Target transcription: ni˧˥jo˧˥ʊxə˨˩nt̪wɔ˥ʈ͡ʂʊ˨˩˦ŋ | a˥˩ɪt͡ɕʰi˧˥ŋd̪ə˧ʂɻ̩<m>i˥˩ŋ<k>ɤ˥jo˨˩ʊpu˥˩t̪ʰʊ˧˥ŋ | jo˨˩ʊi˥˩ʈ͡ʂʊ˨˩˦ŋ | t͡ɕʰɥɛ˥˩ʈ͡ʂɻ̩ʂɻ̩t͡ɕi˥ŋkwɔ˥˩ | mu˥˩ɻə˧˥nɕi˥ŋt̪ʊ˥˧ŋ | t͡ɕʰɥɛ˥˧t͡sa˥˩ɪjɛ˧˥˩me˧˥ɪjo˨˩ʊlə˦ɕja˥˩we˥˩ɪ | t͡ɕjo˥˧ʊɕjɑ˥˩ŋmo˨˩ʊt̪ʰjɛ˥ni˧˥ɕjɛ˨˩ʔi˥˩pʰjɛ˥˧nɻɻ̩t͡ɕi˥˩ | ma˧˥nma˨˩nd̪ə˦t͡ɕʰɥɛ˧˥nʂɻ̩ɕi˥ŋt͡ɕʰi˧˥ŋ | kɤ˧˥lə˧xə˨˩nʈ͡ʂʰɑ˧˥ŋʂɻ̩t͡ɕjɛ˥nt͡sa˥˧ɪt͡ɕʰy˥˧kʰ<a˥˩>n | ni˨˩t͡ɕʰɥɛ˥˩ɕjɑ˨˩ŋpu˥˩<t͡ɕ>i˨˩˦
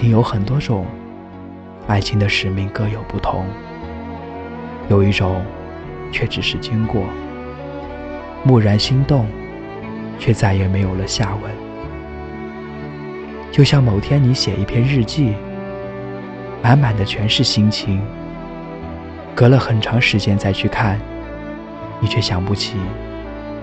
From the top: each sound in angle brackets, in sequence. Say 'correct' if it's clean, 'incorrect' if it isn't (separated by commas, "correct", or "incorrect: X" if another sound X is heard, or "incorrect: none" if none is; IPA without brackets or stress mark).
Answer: correct, correct, correct, incorrect: t͡ɕʰ